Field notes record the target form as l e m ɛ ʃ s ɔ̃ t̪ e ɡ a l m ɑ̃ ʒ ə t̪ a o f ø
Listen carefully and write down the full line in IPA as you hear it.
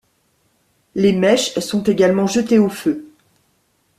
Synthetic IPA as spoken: l e m ɛ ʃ s ɔ̃ t̪ e ɡ a l m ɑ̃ ʒ ə t̪ e o f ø